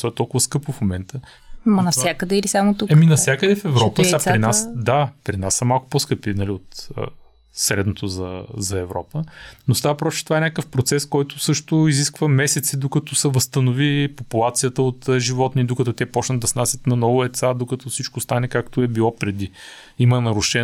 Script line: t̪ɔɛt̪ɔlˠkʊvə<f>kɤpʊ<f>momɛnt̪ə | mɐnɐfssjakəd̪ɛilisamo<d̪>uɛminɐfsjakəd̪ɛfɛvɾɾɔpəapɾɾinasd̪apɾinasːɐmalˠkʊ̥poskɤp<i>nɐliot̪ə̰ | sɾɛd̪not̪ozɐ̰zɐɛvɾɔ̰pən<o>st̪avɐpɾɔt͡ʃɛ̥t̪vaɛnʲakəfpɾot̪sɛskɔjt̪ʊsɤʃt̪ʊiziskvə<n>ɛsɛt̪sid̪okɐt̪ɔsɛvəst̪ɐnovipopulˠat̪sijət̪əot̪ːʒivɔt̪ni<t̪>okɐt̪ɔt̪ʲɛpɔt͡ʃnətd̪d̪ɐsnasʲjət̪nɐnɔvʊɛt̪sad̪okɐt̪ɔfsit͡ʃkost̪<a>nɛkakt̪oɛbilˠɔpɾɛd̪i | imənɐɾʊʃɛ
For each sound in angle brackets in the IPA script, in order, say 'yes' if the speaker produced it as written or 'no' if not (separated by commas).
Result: no, yes, no, yes, yes, no, no, yes